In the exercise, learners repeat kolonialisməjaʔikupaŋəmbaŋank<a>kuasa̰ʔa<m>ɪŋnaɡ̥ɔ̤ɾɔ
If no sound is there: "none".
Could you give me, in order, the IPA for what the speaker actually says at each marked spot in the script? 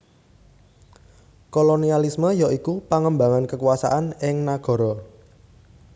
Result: ə, n

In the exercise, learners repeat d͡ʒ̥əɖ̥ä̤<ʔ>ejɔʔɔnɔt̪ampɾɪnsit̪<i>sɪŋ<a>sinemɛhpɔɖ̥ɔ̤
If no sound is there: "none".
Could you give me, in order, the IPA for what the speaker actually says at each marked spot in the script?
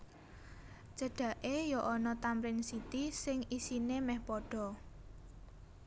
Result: ʔ, i, i

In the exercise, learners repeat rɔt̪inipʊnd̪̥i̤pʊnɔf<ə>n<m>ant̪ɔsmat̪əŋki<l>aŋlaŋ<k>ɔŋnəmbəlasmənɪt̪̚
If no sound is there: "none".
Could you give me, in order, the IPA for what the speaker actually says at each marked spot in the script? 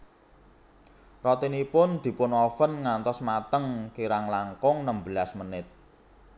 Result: ə, ŋ, ɾ, k

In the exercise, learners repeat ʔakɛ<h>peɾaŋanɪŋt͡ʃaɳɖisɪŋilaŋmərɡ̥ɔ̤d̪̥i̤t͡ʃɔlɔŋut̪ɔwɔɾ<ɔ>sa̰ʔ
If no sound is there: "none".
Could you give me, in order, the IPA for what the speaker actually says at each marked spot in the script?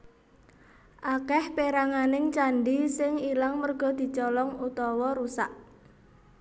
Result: h, u

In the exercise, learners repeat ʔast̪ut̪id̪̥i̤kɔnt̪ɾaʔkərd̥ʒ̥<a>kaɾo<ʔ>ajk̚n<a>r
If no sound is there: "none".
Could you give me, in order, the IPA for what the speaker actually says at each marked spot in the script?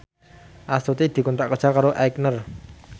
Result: a, ʔ, ə

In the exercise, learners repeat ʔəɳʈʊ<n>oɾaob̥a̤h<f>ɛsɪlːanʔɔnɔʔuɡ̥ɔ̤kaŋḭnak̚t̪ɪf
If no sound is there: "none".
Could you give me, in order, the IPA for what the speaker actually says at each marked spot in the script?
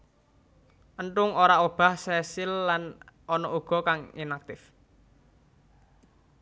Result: ŋ, s

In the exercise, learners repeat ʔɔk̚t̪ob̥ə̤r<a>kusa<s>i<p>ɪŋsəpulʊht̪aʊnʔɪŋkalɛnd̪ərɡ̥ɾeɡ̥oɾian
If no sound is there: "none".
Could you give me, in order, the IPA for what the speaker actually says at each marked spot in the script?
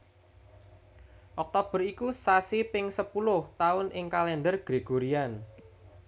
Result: i, s, p

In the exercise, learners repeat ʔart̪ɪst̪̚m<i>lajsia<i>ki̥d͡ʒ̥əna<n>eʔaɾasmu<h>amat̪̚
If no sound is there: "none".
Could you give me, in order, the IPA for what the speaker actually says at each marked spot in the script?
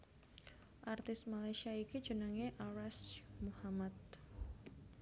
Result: a, i, ŋ, h

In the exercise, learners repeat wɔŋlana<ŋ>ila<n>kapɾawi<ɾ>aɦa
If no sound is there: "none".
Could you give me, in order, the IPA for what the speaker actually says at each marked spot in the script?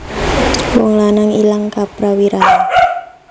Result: ŋ, ŋ, ɾ

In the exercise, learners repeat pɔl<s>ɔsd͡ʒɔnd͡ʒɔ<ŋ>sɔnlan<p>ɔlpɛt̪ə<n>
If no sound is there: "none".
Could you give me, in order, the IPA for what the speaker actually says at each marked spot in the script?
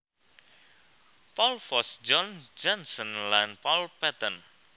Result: f, n, p, n

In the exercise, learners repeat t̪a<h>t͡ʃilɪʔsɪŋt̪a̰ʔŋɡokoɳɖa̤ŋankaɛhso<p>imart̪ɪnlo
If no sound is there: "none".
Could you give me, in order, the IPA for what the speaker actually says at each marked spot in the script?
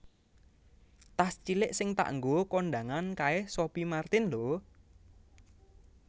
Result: s, p

